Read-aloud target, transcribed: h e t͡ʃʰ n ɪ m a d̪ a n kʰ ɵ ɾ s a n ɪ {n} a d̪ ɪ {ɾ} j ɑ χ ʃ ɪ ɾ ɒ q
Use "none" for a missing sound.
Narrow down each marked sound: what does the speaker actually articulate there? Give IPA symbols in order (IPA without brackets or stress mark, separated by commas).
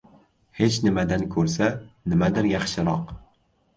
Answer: m, ɾ